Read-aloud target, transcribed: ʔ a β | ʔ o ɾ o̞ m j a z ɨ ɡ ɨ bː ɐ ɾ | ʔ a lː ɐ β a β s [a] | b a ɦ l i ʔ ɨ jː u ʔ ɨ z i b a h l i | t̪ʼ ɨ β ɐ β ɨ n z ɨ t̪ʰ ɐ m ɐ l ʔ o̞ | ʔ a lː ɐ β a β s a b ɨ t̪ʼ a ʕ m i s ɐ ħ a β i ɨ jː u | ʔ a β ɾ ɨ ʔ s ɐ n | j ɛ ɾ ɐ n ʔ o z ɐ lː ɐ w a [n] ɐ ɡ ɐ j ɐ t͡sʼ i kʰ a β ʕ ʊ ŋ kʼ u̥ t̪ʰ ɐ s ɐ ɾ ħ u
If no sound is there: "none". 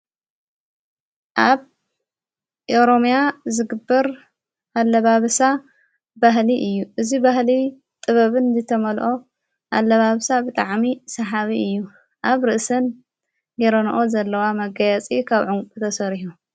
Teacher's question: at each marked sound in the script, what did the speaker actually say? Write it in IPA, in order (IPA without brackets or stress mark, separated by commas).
a, m